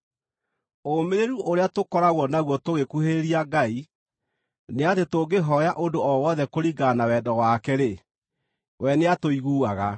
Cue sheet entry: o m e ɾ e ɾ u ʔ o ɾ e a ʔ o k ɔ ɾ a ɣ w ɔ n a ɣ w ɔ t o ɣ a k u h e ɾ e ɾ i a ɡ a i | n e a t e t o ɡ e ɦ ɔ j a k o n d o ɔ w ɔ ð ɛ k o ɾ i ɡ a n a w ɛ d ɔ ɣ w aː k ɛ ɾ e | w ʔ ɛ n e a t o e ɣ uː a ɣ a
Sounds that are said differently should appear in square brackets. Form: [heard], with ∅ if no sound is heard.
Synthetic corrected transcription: o m e ɾ e ɾ u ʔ o ɾ e a [t] o k ɔ ɾ a ɣ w ɔ n a ɣ w ɔ t o ɣ [e] k u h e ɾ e ɾ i a ɡ a i | n e a t e t o ɡ e ɦ ɔ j a [ʔ] o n d o ɔ w ɔ ð ɛ k o ɾ i ɡ a n a w ɛ d ɔ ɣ w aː k ɛ ɾ e | w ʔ ɛ n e a t o [i] ɣ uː a ɣ a